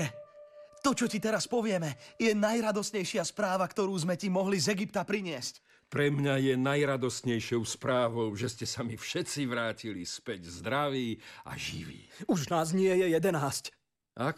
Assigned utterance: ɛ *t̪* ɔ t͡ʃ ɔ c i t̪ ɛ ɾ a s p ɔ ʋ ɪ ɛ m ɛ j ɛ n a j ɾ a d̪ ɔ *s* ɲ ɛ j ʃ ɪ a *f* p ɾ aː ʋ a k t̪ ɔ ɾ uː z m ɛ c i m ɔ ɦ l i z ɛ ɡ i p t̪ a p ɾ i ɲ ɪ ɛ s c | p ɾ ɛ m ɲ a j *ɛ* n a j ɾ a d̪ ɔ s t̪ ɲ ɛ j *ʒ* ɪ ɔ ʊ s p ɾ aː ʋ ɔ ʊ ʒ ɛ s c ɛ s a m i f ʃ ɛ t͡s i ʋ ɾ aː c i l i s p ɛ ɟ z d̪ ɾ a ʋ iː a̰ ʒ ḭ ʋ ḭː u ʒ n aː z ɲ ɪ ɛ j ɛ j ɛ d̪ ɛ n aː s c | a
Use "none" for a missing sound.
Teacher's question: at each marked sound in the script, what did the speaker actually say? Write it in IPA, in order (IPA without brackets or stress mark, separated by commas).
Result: t̪, s, s, ɛ, ʃ